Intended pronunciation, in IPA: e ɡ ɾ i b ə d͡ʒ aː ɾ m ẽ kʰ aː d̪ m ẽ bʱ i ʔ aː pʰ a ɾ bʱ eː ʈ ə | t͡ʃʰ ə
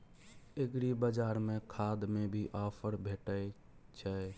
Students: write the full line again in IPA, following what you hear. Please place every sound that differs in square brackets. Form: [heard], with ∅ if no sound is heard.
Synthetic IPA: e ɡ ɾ i b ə d͡ʒ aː ɾ m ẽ kʰ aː d̪ m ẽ bʱ i ʔ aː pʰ [ə] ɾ bʱ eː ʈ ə | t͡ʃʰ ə